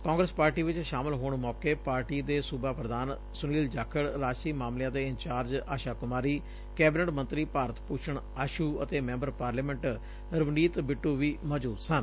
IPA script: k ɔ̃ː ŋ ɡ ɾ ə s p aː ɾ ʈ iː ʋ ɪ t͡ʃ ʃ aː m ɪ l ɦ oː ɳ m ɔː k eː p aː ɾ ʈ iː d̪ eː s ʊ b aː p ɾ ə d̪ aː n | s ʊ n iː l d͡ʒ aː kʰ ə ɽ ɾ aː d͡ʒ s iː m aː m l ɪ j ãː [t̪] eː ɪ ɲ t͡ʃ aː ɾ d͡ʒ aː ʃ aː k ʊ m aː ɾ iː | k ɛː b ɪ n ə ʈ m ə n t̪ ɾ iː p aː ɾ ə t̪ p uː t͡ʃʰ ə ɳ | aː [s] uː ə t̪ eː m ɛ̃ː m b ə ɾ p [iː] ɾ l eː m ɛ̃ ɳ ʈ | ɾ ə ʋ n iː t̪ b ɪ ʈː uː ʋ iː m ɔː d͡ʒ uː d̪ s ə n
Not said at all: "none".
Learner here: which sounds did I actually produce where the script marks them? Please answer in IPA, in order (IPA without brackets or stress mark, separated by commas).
d̪, ʃ, aː